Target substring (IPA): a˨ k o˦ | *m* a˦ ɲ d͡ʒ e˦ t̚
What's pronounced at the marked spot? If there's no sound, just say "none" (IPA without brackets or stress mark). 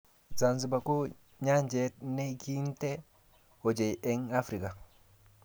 ɲ